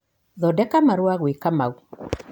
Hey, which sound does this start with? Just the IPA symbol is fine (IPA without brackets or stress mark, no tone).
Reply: ð